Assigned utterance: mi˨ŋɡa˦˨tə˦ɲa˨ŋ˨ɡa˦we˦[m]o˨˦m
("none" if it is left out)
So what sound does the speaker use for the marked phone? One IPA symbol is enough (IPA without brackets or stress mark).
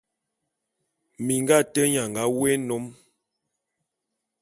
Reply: n